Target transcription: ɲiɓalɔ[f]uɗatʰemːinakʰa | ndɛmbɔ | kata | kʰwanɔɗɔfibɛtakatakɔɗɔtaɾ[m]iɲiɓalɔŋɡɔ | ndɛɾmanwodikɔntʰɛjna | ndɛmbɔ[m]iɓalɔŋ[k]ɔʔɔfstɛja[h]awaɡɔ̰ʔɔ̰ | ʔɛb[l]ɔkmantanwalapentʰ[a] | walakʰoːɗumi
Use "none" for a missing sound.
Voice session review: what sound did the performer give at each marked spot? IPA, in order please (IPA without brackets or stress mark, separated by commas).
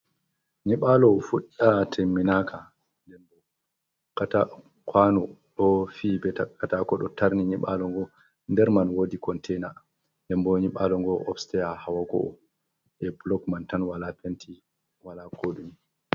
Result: f, n, ɲ, ɡ, h, l, i